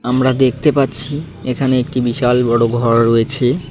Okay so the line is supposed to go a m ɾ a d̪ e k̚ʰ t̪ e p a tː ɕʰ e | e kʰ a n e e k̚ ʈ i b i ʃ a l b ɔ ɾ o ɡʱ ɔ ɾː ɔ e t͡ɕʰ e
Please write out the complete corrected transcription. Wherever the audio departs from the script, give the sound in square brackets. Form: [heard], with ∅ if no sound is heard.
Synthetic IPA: a m ɾ a d̪ e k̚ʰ t̪ e p a tː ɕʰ [i] | e kʰ a n e e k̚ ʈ i b i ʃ a l b ɔ [ɽ] o ɡʱ ɔ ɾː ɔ e t͡ɕʰ e